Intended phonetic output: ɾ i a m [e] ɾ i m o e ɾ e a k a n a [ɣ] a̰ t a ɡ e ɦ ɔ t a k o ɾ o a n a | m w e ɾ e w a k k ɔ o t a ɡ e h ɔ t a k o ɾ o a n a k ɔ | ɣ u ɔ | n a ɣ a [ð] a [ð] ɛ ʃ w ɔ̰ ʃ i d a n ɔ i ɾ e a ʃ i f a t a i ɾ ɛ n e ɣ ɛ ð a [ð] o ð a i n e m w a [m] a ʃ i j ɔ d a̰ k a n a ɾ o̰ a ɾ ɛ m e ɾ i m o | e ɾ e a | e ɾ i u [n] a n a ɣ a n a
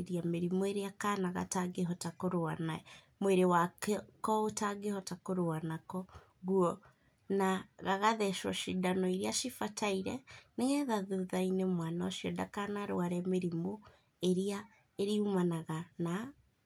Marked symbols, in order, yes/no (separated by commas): yes, yes, no, yes, yes, no, no